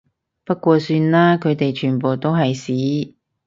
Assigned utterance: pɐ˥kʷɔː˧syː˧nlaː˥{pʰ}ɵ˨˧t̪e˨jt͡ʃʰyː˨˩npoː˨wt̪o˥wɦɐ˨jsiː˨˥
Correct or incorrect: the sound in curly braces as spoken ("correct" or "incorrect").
incorrect